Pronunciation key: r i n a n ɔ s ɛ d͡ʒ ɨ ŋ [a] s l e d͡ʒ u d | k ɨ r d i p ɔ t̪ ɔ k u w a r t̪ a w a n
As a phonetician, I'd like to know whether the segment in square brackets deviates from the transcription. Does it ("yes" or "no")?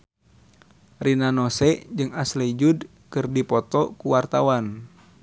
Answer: no